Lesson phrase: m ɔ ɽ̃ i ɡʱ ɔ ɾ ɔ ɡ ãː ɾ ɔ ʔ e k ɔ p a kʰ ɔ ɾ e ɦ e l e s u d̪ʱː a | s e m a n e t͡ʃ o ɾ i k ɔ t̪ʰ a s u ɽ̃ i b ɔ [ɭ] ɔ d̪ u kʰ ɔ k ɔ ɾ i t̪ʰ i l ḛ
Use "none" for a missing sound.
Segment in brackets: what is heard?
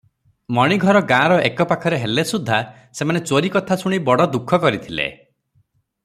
ɽ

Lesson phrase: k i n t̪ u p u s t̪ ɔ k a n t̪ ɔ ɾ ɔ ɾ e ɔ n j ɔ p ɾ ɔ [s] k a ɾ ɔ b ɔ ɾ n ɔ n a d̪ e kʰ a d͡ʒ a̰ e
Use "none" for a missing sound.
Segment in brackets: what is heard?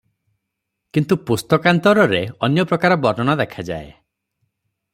none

